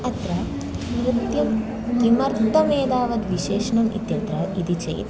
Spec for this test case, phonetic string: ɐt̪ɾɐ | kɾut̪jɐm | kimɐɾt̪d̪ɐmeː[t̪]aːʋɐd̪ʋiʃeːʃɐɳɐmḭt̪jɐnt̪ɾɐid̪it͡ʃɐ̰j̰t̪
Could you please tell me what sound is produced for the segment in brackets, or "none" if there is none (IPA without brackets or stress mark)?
d̪